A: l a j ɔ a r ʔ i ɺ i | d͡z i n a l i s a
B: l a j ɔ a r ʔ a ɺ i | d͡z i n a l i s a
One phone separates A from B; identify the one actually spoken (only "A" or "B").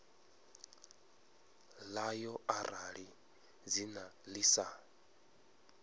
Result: B